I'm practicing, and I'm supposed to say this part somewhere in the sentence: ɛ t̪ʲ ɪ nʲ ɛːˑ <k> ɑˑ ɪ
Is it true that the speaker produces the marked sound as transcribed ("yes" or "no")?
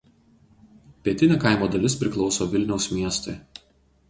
yes